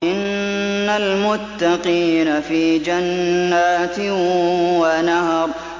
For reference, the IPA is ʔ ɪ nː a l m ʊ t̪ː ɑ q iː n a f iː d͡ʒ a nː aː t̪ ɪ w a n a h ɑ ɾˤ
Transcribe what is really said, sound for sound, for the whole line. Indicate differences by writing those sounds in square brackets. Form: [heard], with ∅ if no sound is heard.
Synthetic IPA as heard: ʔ ɪ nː a l m ʊ t̪ː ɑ q iː n a f iː d͡ʒ a nː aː t̪ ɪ w a n a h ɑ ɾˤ

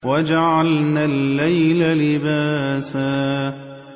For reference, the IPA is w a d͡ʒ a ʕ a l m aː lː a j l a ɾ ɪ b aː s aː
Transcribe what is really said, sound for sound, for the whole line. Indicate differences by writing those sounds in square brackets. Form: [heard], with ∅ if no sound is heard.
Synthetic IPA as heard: w a d͡ʒ a ʕ a l [n] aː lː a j l a [l] ɪ b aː s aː

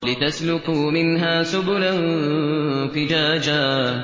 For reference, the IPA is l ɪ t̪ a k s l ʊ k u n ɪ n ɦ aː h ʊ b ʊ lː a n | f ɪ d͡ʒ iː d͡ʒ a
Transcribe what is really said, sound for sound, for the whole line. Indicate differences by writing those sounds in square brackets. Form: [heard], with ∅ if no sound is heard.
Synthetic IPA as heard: l ɪ t̪ a [∅] s l ʊ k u [m] ɪ n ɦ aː [s] ʊ b ʊ [l] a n | f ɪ d͡ʒ [aː] d͡ʒ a

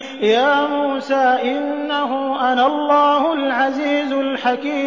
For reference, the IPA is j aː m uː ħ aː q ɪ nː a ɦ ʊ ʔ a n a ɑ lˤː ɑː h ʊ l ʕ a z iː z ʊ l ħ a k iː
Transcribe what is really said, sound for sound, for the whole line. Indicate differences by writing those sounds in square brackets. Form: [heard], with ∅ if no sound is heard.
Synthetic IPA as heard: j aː m uː [s] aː [ʔ] ɪ nː a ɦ ʊ ʔ a n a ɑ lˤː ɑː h ʊ l ʕ a z iː z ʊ l ħ a k iː

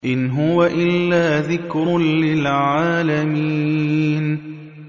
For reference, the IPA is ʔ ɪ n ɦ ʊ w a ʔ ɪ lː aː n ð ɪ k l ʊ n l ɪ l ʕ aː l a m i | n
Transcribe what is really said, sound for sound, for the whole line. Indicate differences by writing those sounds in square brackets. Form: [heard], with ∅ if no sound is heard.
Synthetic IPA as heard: ʔ ɪ n ɦ ʊ w a ʔ ɪ lː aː [∅] ð ɪ k [ɾ] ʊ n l ɪ l ʕ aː l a m i | n

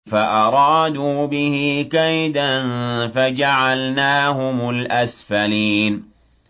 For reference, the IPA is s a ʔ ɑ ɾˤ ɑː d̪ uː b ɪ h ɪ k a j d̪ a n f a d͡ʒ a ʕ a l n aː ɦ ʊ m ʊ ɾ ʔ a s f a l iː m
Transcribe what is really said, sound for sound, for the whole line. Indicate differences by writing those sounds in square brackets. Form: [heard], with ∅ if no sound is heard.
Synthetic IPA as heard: [f] a ʔ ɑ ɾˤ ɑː d̪ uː b ɪ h ɪ k a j d̪ a n f a d͡ʒ a ʕ a l n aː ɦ ʊ m ʊ [l] ʔ a s f a l iː [n]

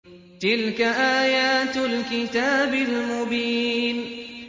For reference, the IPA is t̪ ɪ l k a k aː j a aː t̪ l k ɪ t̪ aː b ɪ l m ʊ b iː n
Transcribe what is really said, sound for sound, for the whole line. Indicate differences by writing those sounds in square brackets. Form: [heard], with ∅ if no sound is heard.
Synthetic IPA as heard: t̪ ɪ l k a [ʔ] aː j a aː t̪ l k ɪ t̪ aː b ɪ l m ʊ b iː n

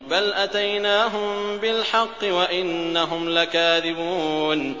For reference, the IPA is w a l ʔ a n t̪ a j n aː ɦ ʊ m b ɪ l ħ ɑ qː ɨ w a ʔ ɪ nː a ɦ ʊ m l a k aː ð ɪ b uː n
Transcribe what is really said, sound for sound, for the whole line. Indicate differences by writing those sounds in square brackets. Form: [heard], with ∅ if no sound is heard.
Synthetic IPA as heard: [b] a l ʔ a [∅] t̪ a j n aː ɦ ʊ m b ɪ l ħ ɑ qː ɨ w a ʔ ɪ nː a ɦ ʊ m l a k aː ð ɪ b uː n

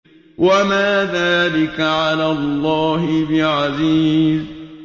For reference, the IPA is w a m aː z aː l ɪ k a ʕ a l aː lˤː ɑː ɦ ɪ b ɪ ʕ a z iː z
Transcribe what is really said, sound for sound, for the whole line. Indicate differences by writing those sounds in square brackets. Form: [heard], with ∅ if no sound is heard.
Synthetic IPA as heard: w a m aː [ð] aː l ɪ k a ʕ a l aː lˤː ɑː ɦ ɪ b ɪ ʕ a z iː z

